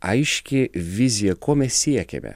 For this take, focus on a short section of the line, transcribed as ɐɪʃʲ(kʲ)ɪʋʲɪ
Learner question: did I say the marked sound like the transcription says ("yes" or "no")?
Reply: yes